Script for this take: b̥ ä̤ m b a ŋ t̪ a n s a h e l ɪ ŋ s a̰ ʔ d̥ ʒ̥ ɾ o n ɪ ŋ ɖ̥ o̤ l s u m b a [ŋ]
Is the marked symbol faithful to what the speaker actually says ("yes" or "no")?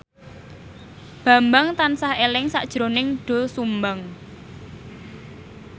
yes